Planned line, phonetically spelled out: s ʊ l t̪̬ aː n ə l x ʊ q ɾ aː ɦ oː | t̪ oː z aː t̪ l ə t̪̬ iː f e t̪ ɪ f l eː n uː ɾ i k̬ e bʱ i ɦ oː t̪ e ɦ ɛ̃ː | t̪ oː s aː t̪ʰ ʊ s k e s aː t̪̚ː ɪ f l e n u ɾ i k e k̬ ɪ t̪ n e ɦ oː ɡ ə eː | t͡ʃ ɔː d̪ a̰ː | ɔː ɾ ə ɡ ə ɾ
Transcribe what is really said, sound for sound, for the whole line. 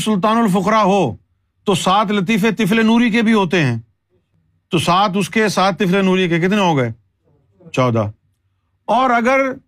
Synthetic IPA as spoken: s ʊ l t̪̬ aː n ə l f ʊ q ɾ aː ɦ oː | t̪ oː s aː t̪ l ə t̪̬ iː f e t̪ ɪ f l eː n uː ɾ i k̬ e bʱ i ɦ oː t̪ e ɦ ɛ̃ː | t̪ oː s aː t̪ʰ ʊ s k e s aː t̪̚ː ɪ f l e n uː ɾ i k e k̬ ɪ t̪ n e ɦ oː ɡ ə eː | t͡ʃ ɔː d̪ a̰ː | ɔː ɾ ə ɡ ə ɾ